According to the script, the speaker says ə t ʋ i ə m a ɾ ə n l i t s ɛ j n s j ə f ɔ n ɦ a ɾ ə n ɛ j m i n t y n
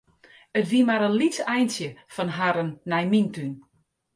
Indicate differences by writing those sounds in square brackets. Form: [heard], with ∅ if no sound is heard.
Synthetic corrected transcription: ə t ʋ i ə m a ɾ ə n l i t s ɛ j n s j ə f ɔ n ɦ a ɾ ə [nː] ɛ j m i n t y n

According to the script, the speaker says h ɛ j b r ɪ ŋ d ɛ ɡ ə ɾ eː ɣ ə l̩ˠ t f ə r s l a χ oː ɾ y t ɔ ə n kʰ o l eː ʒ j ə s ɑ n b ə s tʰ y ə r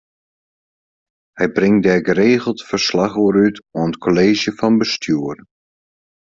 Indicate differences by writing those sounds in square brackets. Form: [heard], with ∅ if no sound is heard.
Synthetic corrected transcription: h ɛ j b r ɪ ŋ d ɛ ɡ ə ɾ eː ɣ ə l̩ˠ t f ə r s l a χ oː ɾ y t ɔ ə n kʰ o l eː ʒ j ə [f] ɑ n b ə s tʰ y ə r

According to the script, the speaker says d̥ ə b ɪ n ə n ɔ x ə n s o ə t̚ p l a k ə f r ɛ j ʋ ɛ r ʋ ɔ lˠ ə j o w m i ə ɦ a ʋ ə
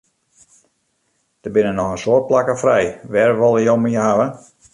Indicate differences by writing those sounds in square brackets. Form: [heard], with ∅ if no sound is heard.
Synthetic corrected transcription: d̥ ə b ɪ n ə n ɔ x ə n s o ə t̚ p l a k ə f r ɛ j ʋ ɛ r ʋ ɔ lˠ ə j o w m i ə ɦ a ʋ ə

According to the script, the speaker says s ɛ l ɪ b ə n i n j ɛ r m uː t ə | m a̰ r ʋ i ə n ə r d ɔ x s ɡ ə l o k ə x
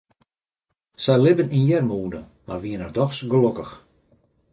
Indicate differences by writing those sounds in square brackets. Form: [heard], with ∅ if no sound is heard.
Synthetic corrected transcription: s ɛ l ɪ b ə n i n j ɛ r m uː [d] ə | m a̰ r ʋ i ə n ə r d ɔ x s ɡ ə l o k ə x

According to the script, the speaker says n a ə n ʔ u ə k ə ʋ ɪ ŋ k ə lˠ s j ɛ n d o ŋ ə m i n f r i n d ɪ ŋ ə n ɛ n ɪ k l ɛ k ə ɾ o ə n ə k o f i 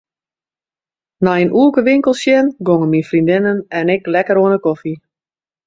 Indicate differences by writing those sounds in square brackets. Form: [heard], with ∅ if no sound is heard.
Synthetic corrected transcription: n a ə n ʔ u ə k ə ʋ ɪ ŋ k ə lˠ s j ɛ n [ɡ] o ŋ ə m i n f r i n d ɪ [n] ə n ɛ n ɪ k l ɛ k ə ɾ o ə n ə k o f i

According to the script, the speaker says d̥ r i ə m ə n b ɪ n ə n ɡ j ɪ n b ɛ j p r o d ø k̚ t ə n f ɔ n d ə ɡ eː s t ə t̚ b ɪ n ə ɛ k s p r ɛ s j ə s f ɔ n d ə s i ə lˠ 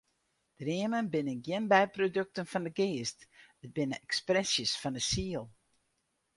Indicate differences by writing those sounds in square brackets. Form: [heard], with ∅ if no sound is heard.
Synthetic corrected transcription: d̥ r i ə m ə n b ɪ n ə n ɡ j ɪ n b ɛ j p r o d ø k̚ t ə n f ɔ n d ə ɡ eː s t ə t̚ b ɪ n ə ɛ k s p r ɛ s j ə s f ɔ n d ə s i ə lˠ

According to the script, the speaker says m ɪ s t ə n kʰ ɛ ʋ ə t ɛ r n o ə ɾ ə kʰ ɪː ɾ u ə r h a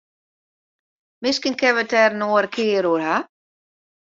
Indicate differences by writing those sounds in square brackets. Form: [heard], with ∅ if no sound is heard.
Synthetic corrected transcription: m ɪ s [k] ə n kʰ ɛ ʋ ə t ɛ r n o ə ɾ ə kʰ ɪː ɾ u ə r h a

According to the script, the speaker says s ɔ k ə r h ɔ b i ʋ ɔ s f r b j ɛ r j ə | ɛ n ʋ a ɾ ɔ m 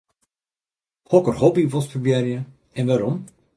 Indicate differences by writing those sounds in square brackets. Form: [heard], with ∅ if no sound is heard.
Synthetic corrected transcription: [h] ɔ k ə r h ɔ b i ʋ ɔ s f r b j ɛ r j ə | ɛ n ʋ a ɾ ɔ m

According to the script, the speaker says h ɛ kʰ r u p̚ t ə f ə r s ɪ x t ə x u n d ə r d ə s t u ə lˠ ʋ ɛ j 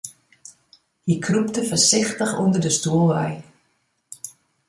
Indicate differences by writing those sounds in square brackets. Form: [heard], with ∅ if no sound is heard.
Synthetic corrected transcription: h [i] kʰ r u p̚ t ə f ə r s ɪ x t ə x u n d ə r d ə s t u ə lˠ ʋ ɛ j

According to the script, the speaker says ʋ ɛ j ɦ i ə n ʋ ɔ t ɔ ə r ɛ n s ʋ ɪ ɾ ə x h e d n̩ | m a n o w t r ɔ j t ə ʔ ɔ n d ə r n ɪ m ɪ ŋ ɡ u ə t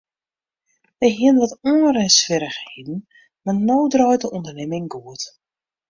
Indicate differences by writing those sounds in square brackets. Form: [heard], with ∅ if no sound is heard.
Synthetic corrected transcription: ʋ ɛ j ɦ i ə n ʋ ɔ t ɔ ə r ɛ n s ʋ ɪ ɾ ə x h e d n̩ | m a n o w [d] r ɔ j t ə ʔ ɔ n d ə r n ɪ m ɪ ŋ ɡ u ə t

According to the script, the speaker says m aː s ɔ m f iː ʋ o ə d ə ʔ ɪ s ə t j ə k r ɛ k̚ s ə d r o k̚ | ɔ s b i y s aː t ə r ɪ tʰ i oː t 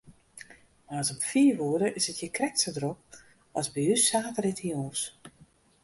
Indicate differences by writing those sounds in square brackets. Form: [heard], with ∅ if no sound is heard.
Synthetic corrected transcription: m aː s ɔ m f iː ʋ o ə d ə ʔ ɪ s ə t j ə k r ɛ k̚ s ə d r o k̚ | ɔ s b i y s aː t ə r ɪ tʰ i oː [s]

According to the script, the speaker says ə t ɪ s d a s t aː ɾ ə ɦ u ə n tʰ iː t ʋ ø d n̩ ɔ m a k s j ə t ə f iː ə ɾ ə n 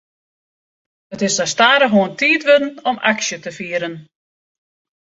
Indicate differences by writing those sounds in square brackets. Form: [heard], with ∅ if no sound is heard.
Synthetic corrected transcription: ə t ɪ s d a s t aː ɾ ə ɦ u ə n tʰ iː t ʋ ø d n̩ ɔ m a k s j ə t ə f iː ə ɾ ə n

